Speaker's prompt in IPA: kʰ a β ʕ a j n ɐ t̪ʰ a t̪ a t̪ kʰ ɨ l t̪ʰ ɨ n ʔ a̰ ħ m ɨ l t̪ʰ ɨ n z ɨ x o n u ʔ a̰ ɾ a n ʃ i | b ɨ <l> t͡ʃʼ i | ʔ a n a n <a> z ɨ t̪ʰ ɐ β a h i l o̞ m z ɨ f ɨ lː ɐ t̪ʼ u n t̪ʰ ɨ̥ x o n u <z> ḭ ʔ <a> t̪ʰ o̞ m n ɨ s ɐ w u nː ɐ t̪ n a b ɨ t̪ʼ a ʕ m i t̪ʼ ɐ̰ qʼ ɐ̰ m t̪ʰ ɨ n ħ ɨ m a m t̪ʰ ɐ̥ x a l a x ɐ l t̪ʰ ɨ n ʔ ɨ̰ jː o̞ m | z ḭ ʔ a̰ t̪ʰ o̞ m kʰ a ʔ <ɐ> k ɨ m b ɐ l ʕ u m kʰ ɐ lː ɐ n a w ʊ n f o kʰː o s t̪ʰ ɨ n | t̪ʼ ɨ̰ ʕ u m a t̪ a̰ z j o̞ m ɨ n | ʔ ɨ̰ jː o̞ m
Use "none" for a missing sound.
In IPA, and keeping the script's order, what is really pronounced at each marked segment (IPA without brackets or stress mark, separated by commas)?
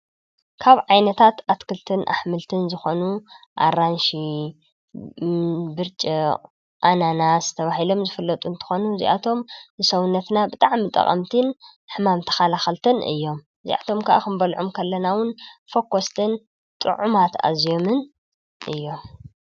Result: ɾ, a, z, a, a